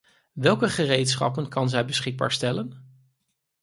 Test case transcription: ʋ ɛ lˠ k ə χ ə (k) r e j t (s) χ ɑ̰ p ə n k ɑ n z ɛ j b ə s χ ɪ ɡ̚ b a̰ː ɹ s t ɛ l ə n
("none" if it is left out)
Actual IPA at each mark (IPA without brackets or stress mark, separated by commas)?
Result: none, s